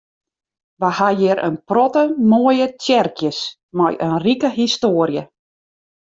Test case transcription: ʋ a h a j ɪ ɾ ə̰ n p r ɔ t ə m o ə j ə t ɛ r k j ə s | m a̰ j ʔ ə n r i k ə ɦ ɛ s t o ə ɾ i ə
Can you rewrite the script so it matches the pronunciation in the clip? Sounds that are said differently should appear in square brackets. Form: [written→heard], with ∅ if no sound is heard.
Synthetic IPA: ʋ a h a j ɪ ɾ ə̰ n p r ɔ t ə m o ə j ə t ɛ r k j ə s | m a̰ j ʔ ə n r i k ə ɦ [ɛ→i] s t o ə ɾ [i→j] ə